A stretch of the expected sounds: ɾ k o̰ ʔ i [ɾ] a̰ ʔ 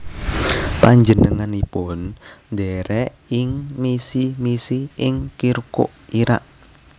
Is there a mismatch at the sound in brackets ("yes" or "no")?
no